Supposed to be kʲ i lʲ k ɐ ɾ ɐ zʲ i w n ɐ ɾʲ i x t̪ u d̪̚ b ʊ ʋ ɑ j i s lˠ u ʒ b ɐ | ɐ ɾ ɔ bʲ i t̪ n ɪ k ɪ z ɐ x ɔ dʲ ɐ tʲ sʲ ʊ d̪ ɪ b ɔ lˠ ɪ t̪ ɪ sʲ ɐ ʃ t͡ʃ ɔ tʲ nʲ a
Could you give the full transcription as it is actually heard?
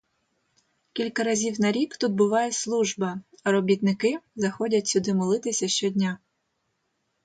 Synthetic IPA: kʲ i lʲ k ɐ ɾ ɐ zʲ i w n ɐ ɾʲ i k t̪ u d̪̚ b ʊ ʋ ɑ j ɛ s lˠ u ʒ b ɐ | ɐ ɾ ɔ bʲ i t̪ n ɪ k ɪ z ɐ x ɔ dʲ ɐ tʲ sʲ ʊ d̪ ɪ m ɔ lˠ ɪ t̪ ɪ sʲ ɐ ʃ t͡ʃ ɔ dʲ nʲ a